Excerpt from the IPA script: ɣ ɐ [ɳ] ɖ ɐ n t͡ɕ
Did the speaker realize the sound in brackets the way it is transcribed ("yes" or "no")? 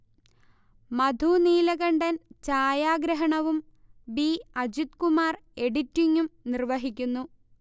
yes